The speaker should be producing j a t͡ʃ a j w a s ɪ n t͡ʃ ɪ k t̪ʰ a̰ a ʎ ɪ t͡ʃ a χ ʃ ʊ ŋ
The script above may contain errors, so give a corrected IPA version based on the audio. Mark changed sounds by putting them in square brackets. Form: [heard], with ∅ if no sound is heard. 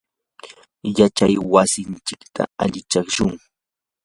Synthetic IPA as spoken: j a t͡ʃ a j w a s ɪ n t͡ʃ ɪ k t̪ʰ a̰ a ʎ ɪ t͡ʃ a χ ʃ ʊ ŋ